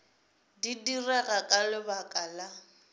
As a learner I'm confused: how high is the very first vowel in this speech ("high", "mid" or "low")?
high